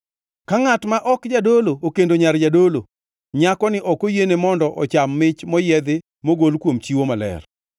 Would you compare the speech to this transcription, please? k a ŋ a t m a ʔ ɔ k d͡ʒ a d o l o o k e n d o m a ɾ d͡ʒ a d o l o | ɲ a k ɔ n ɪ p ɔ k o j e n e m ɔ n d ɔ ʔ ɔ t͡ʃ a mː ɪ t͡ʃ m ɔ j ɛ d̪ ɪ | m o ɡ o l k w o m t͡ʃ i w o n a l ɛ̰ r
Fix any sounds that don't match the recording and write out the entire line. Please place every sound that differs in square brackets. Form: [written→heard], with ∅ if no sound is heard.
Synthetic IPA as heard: k a ŋ a t m a ʔ ɔ k d͡ʒ a d o l o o k e n d o [m→ɲ] a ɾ d͡ʒ a d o l o | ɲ a k ɔ n ɪ [p→ʔ] ɔ k o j e n e m ɔ n d ɔ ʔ ɔ t͡ʃ a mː ɪ t͡ʃ m ɔ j ɛ d̪ ɪ | m o ɡ o l k w o m t͡ʃ i w o [n→m] a l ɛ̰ r